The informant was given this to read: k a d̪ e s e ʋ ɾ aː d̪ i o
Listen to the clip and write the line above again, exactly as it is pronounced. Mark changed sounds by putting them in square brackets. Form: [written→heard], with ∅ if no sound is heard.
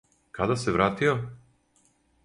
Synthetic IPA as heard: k a d̪ [e→a] s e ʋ ɾ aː [d̪→t̪] i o